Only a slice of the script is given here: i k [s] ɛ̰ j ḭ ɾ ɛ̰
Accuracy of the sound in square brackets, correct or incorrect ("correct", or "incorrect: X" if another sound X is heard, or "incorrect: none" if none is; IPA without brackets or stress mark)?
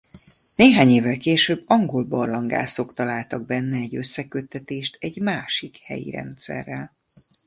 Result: incorrect: h